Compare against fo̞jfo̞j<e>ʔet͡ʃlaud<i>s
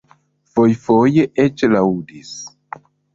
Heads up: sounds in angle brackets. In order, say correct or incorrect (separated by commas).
correct, correct